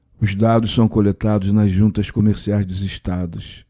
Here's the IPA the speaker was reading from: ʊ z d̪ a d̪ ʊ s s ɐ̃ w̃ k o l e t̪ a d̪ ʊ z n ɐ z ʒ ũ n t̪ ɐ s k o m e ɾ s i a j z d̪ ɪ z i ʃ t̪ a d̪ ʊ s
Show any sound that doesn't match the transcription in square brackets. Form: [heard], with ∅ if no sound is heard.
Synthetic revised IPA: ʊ z d̪ a d̪ ʊ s s ɐ̃ w̃ k o l e t̪ a d̪ ʊ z n ɐ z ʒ ũ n t̪ ɐ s k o m e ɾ s i a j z d̪ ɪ z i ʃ t̪ a d̪ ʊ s